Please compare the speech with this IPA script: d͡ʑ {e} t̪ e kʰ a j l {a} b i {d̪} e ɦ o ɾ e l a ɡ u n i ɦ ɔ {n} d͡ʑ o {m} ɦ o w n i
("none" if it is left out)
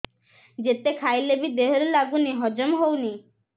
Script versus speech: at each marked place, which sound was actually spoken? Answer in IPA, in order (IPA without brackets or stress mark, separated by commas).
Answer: e, e, d̪, none, m